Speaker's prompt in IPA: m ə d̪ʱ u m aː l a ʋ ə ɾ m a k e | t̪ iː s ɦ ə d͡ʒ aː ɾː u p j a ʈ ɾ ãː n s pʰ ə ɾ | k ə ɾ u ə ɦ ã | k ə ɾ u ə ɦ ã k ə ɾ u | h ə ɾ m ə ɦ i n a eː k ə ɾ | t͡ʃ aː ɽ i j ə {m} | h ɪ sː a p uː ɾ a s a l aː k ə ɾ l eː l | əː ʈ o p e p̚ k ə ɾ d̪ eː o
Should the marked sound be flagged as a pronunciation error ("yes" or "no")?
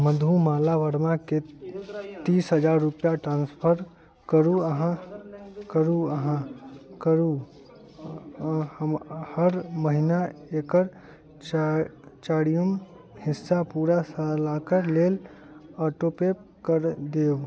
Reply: no